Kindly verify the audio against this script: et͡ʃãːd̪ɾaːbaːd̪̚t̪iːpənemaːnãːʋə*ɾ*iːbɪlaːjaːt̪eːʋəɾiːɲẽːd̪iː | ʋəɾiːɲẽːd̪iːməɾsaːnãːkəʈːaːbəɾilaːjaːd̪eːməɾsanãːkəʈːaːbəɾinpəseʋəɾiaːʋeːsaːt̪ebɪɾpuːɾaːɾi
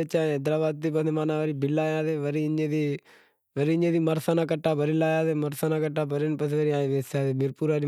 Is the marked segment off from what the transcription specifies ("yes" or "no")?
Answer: no